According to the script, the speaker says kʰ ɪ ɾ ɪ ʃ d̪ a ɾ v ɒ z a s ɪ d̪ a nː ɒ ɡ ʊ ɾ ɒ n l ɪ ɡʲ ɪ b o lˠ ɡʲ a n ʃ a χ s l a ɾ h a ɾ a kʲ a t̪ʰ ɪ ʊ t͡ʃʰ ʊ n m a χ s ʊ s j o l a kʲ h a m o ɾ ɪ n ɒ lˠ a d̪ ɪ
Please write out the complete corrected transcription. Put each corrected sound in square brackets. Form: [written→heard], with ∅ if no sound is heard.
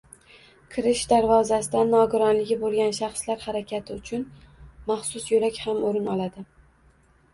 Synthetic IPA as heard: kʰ ɪ ɾ ɪ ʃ d̪ a ɾ v ɒ z a s ɪ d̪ a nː ɒ ɡ ʊ ɾ ɒ n l ɪ ɡʲ ɪ b o lˠ ɡʲ a n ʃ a χ s l a ɾ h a ɾ a kʲ a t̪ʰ ɪ ʊ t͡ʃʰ ʊ n m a χ s ʊ s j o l a kʲ h a m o ɾ ɪ n ɒ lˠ a d̪ ɪ

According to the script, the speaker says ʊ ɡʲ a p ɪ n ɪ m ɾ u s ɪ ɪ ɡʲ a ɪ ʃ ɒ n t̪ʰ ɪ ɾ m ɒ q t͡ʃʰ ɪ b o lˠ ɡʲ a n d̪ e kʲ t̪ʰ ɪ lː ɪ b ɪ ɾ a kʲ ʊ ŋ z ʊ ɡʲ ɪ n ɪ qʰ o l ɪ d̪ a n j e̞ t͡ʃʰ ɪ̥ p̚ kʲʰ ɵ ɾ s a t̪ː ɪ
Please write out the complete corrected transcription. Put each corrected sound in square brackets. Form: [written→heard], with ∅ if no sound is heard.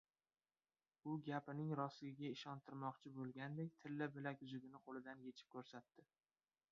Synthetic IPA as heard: ʊ ɡʲ a p ɪ n ɪ [m→ŋ] ɾ [u→ɒ] s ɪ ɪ ɡʲ a ɪ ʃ ɒ n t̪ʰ ɪ ɾ m ɒ q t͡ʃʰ ɪ b o lˠ ɡʲ a n d̪ e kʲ t̪ʰ ɪ lː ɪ b ɪ [ɾ→l] a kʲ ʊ [ŋ→∅] z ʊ ɡʲ ɪ n ɪ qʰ o l ɪ d̪ a n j e̞ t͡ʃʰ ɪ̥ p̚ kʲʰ ɵ ɾ s a t̪ː ɪ

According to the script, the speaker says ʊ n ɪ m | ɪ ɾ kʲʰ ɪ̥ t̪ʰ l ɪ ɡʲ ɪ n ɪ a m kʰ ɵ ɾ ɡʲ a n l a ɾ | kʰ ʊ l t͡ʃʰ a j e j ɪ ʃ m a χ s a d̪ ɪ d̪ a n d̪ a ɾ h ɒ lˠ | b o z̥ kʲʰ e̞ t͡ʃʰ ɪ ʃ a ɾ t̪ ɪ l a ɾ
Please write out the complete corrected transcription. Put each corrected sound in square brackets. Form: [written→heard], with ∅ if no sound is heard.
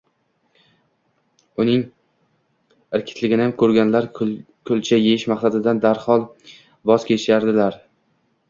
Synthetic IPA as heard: ʊ n ɪ [m→ŋ] | ɪ ɾ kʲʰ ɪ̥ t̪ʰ l ɪ ɡʲ ɪ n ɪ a m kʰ ɵ ɾ ɡʲ a n l a ɾ | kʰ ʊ l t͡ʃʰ a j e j ɪ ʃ m a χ s a d̪ ɪ d̪ a n d̪ a ɾ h ɒ lˠ | b [o→ɒ] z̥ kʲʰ e̞ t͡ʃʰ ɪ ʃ a ɾ [t̪→d̪] ɪ l a ɾ

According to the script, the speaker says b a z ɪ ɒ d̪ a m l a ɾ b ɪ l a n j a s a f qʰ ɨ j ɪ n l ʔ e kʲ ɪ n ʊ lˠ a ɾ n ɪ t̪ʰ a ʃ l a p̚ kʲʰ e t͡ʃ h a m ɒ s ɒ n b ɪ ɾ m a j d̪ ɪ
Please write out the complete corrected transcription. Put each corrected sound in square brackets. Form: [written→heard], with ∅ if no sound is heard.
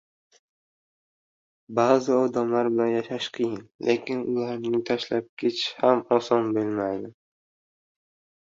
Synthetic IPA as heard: b a z ɪ ɒ d̪ a m l a ɾ b ɪ l a n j a [s→ʃ] a [f→ʃ] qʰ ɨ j ɪ n l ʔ e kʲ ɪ n ʊ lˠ a ɾ n ɪ t̪ʰ a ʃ l a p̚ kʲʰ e t͡ʃ h a m ɒ s ɒ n b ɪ [ɾ→l] m a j d̪ ɪ

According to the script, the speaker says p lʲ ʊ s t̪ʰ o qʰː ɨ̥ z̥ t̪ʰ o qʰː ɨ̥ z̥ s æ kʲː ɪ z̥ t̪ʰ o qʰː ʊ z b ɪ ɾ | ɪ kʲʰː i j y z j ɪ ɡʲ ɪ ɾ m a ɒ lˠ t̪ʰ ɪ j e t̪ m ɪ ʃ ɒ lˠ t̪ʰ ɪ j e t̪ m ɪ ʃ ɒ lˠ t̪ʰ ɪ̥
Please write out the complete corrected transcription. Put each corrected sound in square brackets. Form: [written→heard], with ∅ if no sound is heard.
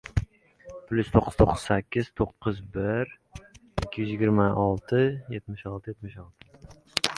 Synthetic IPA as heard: p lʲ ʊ s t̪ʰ o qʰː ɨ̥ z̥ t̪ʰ o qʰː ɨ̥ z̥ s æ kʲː ɪ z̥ t̪ʰ o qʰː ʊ z b ɪ ɾ | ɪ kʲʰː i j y z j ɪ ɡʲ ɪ ɾ m a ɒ lˠ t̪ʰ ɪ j e t̪ m ɪ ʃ ɒ lˠ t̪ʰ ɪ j e t̪ m ɪ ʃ ɒ lˠ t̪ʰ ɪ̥

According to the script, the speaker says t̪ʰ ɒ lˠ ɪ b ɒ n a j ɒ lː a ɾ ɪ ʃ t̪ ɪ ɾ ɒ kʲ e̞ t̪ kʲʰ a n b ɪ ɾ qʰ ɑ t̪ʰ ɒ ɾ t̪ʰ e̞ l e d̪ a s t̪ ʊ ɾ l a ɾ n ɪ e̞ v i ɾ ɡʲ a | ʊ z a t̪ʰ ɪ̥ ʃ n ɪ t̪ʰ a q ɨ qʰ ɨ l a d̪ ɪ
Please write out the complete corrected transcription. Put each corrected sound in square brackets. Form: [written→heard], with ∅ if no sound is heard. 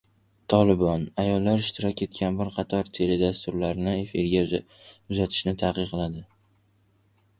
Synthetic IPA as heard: t̪ʰ ɒ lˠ ɪ b ɒ n a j ɒ lː a ɾ ɪ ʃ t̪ ɪ ɾ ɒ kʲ e̞ t̪ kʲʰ a n b ɪ ɾ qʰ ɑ t̪ʰ ɒ ɾ t̪ʰ e̞ l e d̪ a s t̪ ʊ ɾ l a ɾ n ɪ e̞ [v→f] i ɾ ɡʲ a | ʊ z a t̪ʰ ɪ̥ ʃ n ɪ t̪ʰ a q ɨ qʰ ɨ l a d̪ ɪ

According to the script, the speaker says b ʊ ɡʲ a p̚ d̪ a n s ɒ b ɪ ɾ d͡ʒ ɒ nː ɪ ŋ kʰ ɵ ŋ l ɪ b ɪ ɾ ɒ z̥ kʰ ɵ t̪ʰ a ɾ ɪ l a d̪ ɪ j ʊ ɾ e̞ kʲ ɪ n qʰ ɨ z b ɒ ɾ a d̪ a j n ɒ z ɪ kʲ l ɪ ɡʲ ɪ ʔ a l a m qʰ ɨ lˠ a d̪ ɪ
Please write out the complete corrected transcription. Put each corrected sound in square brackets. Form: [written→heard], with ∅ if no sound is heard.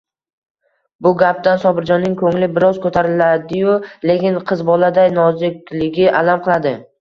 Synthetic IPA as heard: b ʊ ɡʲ a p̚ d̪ a n s ɒ b ɪ ɾ d͡ʒ ɒ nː ɪ ŋ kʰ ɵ ŋ l ɪ b ɪ ɾ ɒ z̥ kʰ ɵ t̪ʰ a ɾ ɪ l a d̪ ɪ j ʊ [ɾ→l] e̞ kʲ ɪ n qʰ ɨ z b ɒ [ɾ→l] a d̪ a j n ɒ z ɪ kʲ l ɪ ɡʲ ɪ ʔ a l a m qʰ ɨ lˠ a d̪ ɪ

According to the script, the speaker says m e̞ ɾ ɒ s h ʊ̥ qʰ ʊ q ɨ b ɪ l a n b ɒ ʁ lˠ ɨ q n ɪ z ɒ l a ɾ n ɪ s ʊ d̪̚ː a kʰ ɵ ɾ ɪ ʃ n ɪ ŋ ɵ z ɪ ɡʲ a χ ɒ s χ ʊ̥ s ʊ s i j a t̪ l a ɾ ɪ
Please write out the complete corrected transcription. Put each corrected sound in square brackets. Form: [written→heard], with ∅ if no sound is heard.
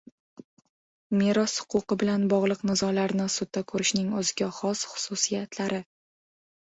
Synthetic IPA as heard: m e̞ ɾ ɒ s h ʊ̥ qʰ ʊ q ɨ b ɪ l a n b ɒ ʁ lˠ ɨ q n ɪ z ɒ l a ɾ n ɪ s ʊ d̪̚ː a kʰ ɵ ɾ ɪ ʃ n ɪ ŋ ɵ z ɪ ɡʲ a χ ɒ s χ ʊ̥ s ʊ s i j a t̪ l a ɾ ɪ

